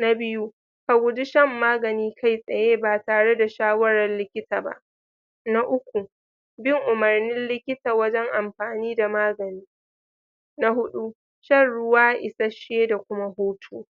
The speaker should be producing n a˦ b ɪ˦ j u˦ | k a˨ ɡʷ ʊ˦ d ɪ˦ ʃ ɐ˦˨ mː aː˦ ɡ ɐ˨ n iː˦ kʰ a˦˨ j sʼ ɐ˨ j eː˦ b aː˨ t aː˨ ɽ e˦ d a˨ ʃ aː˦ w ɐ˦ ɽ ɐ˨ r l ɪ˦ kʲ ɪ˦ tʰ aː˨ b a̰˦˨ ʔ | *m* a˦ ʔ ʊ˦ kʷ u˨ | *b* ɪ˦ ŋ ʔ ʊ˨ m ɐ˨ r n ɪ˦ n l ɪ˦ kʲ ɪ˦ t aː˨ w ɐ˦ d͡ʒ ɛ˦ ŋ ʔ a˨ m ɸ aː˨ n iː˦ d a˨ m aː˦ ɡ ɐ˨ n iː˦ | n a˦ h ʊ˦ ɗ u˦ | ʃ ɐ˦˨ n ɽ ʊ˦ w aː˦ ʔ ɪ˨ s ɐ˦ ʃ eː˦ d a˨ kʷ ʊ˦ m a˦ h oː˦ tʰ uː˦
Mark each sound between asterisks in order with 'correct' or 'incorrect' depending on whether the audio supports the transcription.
incorrect: n, correct

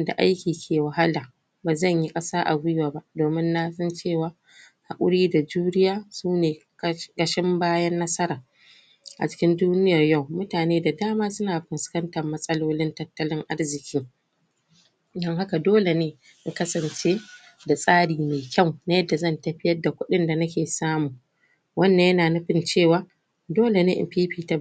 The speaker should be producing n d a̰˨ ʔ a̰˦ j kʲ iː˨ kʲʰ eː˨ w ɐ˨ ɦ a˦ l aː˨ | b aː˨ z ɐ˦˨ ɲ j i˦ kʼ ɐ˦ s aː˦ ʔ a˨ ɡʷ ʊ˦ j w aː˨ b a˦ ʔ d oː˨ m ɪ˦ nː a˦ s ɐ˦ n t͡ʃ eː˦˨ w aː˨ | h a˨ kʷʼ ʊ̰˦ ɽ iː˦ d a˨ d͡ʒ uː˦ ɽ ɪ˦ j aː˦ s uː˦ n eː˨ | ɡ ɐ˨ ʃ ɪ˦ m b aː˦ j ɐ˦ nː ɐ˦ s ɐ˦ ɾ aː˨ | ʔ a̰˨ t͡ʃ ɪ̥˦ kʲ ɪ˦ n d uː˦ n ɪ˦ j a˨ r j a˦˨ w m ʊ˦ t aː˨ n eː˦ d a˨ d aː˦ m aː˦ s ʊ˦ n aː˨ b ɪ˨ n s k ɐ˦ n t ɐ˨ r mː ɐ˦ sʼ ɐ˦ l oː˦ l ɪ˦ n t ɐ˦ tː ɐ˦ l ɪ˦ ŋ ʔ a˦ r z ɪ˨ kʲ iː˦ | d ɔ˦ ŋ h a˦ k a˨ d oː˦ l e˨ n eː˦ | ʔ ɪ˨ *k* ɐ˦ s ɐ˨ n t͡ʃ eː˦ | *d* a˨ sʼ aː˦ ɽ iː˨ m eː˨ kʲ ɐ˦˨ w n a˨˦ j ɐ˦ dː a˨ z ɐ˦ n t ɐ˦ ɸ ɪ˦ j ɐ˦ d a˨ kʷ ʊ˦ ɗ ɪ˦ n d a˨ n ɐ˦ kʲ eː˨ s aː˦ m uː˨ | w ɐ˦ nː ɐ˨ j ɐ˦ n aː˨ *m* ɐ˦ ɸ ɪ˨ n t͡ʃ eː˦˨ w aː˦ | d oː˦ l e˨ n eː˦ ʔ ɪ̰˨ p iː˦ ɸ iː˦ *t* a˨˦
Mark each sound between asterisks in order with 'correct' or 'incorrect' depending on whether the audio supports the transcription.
correct, correct, incorrect: n, correct

